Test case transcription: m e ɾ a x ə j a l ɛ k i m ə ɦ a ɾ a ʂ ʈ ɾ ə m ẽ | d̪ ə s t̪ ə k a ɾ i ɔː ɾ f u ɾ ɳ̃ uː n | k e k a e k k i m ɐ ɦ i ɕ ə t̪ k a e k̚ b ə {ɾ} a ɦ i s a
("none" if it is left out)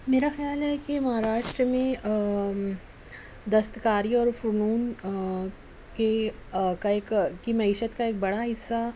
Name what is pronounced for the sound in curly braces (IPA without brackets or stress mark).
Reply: ɽ